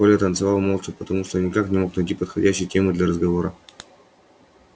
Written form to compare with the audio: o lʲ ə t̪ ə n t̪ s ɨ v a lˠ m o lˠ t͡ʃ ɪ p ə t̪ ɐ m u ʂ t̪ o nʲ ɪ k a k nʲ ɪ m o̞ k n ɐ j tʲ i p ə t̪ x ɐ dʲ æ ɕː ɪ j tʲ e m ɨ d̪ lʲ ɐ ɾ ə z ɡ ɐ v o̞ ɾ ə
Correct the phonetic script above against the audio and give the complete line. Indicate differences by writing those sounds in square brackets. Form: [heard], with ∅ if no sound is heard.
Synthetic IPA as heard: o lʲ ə t̪ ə n t̪ s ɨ v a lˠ m o lˠ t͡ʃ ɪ p ə t̪ ɐ m u ʂ t̪ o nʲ ɪ k a k nʲ ɪ m o̞ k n ɐ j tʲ i p ə t̪ x ɐ dʲ æ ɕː ɪ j tʲ e m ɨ d̪ lʲ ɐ ɾ ə z ɡ ɐ v o̞ ɾ ə